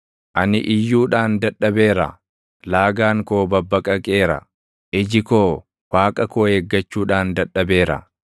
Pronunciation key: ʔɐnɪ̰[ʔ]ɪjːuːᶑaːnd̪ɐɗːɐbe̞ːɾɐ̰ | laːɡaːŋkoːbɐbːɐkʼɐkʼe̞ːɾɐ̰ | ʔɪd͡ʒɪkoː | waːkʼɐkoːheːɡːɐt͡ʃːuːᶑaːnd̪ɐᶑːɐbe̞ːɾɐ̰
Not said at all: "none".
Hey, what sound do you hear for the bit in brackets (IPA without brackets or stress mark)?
ʔ